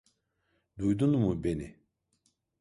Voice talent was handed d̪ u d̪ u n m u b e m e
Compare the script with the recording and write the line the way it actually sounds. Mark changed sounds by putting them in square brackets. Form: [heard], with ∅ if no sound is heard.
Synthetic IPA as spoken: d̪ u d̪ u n m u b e [n] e